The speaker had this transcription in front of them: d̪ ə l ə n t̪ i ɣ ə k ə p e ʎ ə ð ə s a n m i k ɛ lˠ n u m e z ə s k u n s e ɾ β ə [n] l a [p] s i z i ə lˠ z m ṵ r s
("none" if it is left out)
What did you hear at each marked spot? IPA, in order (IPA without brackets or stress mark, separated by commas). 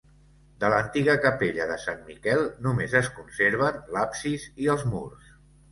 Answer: n, p